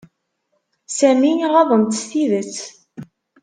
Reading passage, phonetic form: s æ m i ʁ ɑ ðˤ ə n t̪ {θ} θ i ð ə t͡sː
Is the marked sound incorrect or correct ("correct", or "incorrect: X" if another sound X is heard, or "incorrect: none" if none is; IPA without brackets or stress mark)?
incorrect: s